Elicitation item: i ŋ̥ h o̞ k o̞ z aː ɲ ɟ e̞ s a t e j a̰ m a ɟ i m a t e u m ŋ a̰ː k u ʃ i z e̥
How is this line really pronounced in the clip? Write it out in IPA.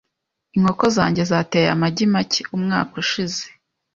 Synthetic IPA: i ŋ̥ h o̞ k o̞ z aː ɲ ɟ e̞ z a t e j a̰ m a ɟ i m a c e u m ŋ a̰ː k u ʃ i z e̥